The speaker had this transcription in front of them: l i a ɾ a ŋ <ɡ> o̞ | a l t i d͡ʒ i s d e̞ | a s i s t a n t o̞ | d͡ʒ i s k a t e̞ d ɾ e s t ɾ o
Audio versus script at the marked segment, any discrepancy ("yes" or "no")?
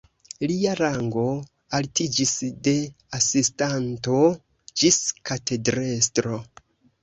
no